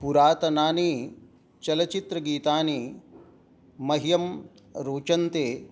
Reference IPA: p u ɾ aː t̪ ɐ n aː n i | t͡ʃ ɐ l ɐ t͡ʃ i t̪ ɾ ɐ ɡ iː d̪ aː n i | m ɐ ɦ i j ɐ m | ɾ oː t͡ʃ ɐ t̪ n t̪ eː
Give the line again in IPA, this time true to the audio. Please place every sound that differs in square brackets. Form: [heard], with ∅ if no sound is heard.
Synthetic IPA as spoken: p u ɾ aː t̪ ɐ n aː n i | t͡ʃ ɐ l ɐ t͡ʃ i t̪ ɾ ɐ ɡ iː [t̪] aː n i | m ɐ ɦ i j ɐ m | ɾ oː t͡ʃ ɐ [∅] n t̪ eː